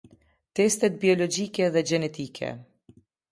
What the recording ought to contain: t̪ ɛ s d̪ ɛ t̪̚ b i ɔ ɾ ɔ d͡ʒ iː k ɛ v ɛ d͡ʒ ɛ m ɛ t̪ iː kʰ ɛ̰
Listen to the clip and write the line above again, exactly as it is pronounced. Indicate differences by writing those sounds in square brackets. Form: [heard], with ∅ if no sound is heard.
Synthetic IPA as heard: t̪ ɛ s [t̪] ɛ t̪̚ b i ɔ [l] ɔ d͡ʒ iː k ɛ [ð] ɛ d͡ʒ ɛ [n] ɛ t̪ iː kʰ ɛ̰

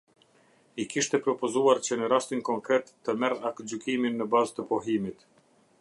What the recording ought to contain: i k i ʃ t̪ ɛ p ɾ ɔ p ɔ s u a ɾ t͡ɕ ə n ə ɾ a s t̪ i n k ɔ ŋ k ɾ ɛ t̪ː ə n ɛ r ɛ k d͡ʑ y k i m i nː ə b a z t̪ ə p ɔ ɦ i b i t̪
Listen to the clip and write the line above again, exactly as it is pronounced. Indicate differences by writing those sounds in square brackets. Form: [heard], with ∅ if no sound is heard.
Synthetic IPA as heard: i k i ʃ t̪ ɛ p ɾ ɔ p ɔ [z] u a ɾ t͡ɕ ə n ə ɾ a s t̪ i n k ɔ ŋ k ɾ ɛ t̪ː ə [m] ɛ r [a] k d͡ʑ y k i m i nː ə b a z t̪ ə p ɔ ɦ i [m] i t̪

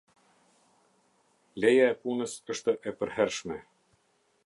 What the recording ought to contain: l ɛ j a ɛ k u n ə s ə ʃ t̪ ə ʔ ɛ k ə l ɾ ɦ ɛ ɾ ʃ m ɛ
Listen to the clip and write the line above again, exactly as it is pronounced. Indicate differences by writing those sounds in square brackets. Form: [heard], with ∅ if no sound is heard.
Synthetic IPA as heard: l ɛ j a ɛ [p] u n ə s ə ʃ t̪ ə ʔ ɛ [p] ə [∅] ɾ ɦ ɛ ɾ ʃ m ɛ

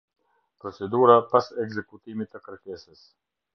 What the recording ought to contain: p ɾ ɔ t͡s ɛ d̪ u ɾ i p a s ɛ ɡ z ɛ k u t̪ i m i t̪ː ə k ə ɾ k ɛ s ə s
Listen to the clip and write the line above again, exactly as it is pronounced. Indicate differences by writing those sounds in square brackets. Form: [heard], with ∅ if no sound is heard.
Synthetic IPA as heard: p ɾ ɔ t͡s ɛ d̪ u ɾ [a] p a s ɛ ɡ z ɛ k u t̪ i m i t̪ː ə k ə ɾ k ɛ s ə s

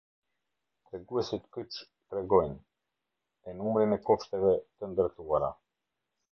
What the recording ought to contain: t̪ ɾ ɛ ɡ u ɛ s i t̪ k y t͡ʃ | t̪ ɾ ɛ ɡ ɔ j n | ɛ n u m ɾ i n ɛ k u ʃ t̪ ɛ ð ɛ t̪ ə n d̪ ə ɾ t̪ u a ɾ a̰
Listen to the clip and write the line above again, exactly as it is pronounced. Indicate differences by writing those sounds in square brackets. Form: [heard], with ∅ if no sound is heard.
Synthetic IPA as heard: t̪ ɾ ɛ ɡ u ɛ s i t̪ k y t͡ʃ | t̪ ɾ ɛ ɡ ɔ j n | ɛ n u m ɾ i n ɛ k [ɔ] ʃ t̪ ɛ [v] ɛ t̪ ə n d̪ ə ɾ t̪ u a ɾ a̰

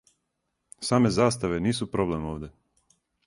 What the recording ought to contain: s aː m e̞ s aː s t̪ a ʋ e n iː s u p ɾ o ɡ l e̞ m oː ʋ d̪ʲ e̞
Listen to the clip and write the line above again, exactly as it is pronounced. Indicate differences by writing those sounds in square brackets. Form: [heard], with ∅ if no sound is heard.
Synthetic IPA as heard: s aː m e̞ [z] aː s t̪ a ʋ e n iː s u p ɾ o [b] l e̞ m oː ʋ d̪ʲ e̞

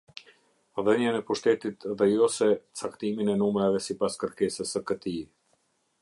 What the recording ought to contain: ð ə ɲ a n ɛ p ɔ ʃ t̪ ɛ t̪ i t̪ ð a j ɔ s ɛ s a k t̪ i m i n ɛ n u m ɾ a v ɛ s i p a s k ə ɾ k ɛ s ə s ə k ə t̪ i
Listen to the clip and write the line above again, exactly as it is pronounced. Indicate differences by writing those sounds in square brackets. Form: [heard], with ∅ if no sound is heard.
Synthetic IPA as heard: ð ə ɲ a n ɛ p [u] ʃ t̪ ɛ t̪ i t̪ ð [ɛ] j ɔ s ɛ [t͡s] a k t̪ i m i n ɛ n u m ɾ a v ɛ s i p a s k ə ɾ k ɛ s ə s ə k ə t̪ i

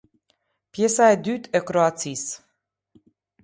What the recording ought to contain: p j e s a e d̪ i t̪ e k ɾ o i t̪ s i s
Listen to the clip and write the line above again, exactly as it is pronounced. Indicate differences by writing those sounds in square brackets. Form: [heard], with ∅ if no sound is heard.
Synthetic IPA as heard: p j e s a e d̪ [y] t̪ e k ɾ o [a] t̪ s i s

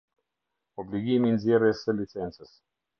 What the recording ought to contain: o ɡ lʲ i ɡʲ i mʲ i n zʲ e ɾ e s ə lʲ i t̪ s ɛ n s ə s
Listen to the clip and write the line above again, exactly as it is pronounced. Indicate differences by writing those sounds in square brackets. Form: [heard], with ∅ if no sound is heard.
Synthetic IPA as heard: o [b] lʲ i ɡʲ i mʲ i n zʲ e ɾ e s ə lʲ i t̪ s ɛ n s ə s

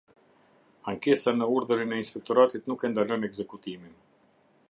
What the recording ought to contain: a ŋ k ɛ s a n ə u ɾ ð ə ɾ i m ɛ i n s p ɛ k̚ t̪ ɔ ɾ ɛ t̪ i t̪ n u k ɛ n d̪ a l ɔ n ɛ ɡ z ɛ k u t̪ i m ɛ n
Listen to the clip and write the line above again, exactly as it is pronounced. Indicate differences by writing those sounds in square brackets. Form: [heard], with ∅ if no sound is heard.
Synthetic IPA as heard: a ŋ k ɛ s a n ə u ɾ ð ə ɾ i [n] ɛ i n s p ɛ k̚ t̪ ɔ ɾ [a] t̪ i t̪ n u k ɛ n d̪ a l ɔ n ɛ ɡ z ɛ k u t̪ i m [i] n

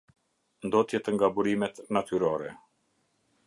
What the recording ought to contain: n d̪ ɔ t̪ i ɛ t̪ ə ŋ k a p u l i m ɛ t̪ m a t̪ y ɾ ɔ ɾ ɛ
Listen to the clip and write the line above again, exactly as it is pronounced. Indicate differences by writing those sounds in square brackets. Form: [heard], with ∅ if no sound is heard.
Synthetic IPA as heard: n d̪ ɔ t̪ [j] ɛ t̪ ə ŋ [ɡ] a [b] u [ɾ] i m ɛ t̪ [n] a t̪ y ɾ ɔ ɾ ɛ

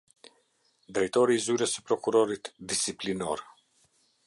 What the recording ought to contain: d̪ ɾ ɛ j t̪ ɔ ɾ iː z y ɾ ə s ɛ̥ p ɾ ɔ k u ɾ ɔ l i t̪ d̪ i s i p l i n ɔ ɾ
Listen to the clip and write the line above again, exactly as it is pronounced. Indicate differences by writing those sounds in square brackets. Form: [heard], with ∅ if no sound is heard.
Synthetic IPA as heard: d̪ ɾ ɛ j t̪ ɔ ɾ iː z y ɾ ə s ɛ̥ p ɾ ɔ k u ɾ ɔ [ɾ] i t̪ d̪ i s i p l i n ɔ ɾ

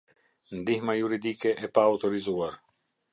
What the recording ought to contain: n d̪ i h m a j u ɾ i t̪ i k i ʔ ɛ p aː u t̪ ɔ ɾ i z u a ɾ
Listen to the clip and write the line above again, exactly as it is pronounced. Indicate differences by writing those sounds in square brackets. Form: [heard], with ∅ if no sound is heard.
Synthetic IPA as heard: n d̪ i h m a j u ɾ i [d̪] i k [ɛ] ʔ ɛ p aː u t̪ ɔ ɾ i z u a ɾ

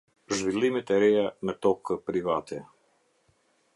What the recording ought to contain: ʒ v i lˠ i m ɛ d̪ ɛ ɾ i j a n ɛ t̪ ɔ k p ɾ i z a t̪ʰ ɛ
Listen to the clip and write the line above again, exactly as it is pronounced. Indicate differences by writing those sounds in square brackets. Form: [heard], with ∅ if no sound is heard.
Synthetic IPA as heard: ʒ v i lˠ i m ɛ [t̪] ɛ ɾ [ɛ] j a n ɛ t̪ ɔ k p ɾ i [v] a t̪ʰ ɛ

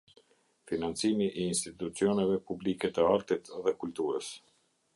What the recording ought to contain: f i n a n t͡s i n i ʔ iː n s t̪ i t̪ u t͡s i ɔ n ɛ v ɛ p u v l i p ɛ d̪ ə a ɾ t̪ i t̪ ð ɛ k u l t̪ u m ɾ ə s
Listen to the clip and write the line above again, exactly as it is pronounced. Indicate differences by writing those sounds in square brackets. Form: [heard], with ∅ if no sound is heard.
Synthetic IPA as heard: f i n a n t͡s i [m] i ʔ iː n s t̪ i t̪ u t͡s i ɔ n ɛ v ɛ p u [b] l i [k] ɛ [t̪] ə a ɾ t̪ i t̪ ð ɛ k u l t̪ u [∅] ɾ ə s

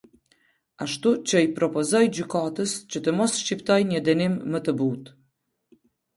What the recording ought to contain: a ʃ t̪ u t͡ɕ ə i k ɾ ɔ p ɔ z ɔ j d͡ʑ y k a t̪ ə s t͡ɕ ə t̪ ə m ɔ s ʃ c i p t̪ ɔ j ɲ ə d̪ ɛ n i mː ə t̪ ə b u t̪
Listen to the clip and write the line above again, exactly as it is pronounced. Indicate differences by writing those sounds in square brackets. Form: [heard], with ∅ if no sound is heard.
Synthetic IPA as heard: a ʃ t̪ u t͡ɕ ə i [p] ɾ ɔ p ɔ z ɔ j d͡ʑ y k a t̪ ə s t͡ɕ ə t̪ ə m ɔ s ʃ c i p t̪ ɔ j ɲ ə d̪ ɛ n i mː ə t̪ ə b u t̪

